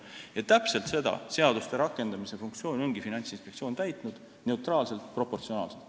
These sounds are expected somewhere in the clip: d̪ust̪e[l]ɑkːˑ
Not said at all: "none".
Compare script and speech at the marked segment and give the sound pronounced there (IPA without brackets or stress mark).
ɾ